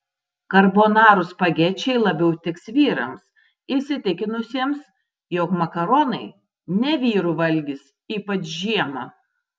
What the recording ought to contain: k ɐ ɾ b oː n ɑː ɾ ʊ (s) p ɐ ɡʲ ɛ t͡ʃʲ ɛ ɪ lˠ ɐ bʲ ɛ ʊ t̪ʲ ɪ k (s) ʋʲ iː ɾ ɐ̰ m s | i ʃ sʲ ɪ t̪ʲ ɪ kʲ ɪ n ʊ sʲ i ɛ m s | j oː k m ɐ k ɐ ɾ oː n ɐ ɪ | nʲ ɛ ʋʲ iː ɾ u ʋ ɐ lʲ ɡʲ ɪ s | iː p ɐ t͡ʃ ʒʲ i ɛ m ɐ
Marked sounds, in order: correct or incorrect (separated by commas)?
correct, correct